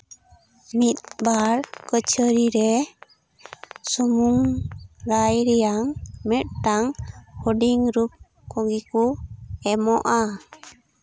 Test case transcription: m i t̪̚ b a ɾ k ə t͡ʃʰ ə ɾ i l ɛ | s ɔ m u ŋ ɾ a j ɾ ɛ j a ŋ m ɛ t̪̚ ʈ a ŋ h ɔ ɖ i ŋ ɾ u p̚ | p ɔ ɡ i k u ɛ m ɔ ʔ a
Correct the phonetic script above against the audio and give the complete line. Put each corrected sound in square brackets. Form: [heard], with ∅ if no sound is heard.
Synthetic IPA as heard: m i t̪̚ b a ɾ k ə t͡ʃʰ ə ɾ i [ɾ] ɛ | s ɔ m u ŋ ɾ a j ɾ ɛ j a ŋ m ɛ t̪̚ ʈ a ŋ h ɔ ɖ i ŋ ɾ u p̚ | [k] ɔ ɡ i k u ɛ m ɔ ʔ a

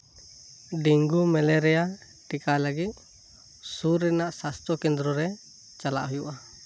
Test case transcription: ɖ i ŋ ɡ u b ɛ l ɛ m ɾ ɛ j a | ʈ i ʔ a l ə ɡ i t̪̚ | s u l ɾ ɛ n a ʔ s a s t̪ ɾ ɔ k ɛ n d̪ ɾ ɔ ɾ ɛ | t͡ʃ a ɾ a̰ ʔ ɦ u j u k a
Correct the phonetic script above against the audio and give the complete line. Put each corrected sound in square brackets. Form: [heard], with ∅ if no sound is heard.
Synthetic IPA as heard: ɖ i ŋ ɡ u [m] ɛ l ɛ [∅] ɾ ɛ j a | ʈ i [k] a l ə ɡ i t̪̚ | s u [∅] ɾ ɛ n a ʔ s a s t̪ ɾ ɔ k ɛ n d̪ ɾ ɔ ɾ ɛ | t͡ʃ a [l] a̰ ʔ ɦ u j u [ʔ] a

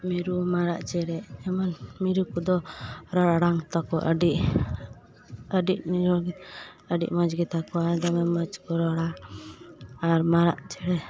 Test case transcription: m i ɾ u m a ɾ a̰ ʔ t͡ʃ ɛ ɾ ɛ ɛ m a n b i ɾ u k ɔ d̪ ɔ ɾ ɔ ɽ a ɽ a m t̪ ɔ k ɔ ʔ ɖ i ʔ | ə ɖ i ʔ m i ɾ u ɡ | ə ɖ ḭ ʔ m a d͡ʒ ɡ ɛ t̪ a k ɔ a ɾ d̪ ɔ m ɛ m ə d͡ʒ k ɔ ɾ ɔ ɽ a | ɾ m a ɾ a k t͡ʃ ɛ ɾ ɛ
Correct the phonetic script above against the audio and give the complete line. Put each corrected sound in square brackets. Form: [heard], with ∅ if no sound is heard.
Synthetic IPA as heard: m i ɾ u m a ɾ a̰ ʔ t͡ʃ ɛ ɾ ɛ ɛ m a n [m] i ɾ u k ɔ d̪ ɔ ɾ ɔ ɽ a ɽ a [ŋ] t̪ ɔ k ɔ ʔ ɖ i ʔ | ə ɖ i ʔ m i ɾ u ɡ | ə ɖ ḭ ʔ m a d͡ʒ ɡ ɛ t̪ a k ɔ a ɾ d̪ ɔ m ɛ m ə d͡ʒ k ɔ ɾ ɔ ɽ a | ɾ m a ɾ a [ʔ] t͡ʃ ɛ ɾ ɛ

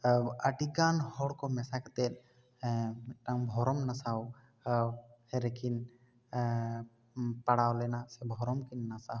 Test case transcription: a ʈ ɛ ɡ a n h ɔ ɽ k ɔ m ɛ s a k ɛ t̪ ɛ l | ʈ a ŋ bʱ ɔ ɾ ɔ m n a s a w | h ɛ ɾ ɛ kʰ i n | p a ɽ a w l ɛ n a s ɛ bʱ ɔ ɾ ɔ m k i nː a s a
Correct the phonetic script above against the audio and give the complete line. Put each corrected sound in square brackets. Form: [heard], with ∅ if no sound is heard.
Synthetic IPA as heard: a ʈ [i] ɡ a n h ɔ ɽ k ɔ m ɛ s a k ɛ t̪ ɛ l | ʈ a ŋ bʱ ɔ ɾ ɔ m n a s a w | h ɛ ɾ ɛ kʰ i n | p a ɽ a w l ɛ n a s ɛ bʱ ɔ ɾ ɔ m k i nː a s a

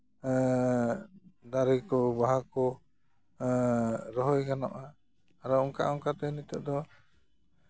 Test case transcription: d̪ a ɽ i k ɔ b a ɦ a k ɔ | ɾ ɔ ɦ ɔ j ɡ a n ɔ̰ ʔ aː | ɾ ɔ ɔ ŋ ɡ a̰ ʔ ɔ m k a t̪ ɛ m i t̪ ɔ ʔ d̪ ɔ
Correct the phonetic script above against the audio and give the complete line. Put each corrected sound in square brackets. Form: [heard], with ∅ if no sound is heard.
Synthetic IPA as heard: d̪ a [ɾ] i k ɔ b a ɦ a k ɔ | ɾ ɔ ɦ ɔ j ɡ a n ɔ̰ ʔ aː | ɾ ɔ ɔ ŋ [k] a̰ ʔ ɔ [ŋ] k a t̪ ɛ [n] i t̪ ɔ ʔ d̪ ɔ

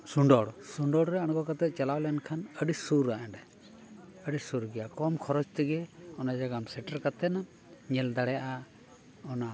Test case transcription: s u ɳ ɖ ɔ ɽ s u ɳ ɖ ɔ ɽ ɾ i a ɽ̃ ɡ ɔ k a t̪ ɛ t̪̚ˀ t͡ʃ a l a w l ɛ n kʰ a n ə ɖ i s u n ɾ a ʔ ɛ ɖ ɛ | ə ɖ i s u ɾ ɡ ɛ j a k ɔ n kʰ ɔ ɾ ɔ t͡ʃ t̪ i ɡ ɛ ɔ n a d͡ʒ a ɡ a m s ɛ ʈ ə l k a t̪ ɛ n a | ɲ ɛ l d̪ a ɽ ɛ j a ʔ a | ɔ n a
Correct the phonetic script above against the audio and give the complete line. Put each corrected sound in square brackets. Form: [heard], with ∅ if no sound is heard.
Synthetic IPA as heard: s u ɳ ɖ ɔ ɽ s u ɳ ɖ ɔ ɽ ɾ [ɛ] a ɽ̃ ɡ ɔ k a t̪ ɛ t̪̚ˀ t͡ʃ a l a w l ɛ n kʰ a n ə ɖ i s u [∅] ɾ a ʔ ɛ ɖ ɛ | ə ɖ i s u ɾ ɡ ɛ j a k ɔ [m] kʰ ɔ ɾ ɔ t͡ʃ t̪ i ɡ ɛ ɔ n a d͡ʒ a ɡ a m s ɛ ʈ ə [ɾ] k a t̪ ɛ n a | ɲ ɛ l d̪ a ɽ ɛ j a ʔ a | ɔ n a

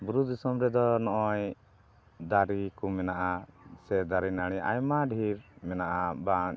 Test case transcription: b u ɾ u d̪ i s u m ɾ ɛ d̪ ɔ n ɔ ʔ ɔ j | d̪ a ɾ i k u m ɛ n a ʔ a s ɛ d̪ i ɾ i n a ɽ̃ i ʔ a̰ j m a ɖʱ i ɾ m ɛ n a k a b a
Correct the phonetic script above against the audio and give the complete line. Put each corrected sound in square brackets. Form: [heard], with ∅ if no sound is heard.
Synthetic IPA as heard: b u ɾ u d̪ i s [ɔ] m ɾ ɛ d̪ ɔ n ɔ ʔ ɔ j | d̪ a ɾ i k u m ɛ n a ʔ a s ɛ d̪ [a] ɾ i n a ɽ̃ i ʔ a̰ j m a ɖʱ i ɾ m ɛ n a [ʔ] a b a

